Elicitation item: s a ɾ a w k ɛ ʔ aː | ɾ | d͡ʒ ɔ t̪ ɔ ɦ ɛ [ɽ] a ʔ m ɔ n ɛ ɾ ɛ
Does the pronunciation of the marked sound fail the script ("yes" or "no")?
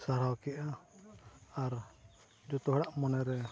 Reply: no